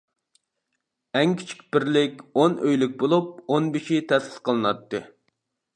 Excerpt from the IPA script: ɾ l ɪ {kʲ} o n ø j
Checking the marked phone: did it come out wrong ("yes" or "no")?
no